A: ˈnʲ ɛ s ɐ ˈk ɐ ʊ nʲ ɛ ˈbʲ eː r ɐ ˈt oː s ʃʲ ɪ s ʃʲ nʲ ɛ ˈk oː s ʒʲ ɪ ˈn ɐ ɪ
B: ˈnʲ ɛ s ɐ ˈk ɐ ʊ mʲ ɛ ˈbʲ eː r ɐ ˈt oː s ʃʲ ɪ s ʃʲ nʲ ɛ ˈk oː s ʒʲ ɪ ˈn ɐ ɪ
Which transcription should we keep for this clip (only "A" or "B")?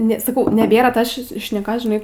A